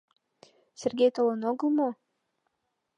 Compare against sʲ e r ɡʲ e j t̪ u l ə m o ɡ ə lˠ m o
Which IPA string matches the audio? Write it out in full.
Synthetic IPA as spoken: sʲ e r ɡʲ e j t̪ o l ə n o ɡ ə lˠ m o